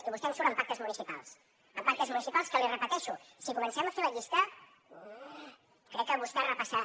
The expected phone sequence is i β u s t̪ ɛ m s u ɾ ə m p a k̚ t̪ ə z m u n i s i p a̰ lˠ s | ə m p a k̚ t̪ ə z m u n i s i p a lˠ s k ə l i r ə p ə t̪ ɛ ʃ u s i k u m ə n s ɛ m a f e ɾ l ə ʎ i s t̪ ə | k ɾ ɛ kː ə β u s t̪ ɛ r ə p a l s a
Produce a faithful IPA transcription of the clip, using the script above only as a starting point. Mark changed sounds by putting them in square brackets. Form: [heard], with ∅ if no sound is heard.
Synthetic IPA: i β u s t̪ ɛ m s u ɾ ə m p a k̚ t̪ ə z m u n i s i p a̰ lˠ s | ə m p a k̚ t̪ ə z m u n i s i p a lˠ s k ə l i r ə p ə t̪ ɛ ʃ u s i k u m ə n s ɛ m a f e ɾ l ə ʎ i s t̪ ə | k ɾ ɛ kː ə β u s t̪ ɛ r ə p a [∅] s a